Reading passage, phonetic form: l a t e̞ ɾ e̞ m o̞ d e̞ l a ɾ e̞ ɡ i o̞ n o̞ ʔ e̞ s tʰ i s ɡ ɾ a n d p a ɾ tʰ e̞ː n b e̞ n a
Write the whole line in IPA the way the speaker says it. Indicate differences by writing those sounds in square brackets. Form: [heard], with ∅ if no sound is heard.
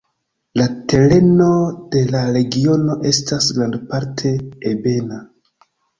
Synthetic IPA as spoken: l a t e̞ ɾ e̞ [n] o̞ d e̞ l a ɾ e̞ ɡ i o̞ n o̞ ʔ e̞ s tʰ [a] s ɡ ɾ a n d p a ɾ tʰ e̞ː [∅] b e̞ n a